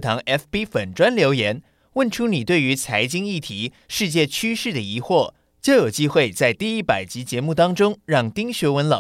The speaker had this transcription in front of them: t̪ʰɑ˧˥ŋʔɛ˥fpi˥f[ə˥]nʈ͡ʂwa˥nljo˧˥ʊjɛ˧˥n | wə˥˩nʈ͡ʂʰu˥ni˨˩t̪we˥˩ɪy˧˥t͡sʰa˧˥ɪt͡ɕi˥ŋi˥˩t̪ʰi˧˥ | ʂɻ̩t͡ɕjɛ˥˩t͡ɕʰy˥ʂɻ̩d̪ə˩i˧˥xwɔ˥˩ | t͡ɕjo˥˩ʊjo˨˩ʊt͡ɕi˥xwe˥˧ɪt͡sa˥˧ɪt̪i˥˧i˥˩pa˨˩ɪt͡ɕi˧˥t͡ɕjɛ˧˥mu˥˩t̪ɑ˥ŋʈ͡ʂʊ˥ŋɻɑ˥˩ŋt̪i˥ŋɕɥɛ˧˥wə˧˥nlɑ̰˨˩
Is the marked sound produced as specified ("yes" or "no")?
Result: no